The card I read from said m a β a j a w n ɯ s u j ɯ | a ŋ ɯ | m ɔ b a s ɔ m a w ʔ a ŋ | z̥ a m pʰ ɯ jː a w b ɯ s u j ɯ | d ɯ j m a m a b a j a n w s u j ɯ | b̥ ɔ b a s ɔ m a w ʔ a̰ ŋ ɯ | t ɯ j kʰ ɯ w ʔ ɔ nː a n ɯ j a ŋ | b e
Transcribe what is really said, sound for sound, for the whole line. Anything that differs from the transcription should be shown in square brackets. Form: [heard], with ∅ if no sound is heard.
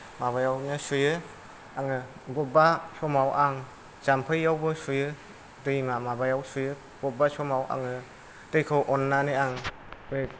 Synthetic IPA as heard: m a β a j a w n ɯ s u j ɯ | a ŋ ɯ | [b] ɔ b a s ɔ m a w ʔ a ŋ | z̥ a m pʰ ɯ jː a w b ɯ s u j ɯ | d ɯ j m a m a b a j a [∅] w s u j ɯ | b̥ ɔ b a s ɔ m a w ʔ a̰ ŋ ɯ | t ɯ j kʰ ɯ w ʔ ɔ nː a n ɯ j a ŋ | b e